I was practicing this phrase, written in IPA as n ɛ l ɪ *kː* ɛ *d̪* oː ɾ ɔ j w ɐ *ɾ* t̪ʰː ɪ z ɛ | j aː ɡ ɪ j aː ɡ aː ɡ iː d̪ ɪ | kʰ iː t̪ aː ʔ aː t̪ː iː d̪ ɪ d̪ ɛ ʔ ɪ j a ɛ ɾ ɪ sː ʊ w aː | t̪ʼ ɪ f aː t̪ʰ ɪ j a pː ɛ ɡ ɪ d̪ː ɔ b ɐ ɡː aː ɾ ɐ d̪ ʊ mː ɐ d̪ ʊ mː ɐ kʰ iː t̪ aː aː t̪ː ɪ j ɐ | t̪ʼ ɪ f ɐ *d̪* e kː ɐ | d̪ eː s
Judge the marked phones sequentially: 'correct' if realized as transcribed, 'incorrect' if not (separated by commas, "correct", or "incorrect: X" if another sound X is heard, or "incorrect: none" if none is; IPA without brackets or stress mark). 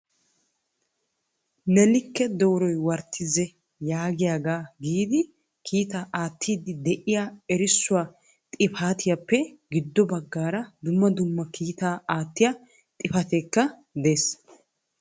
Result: correct, correct, correct, incorrect: t̪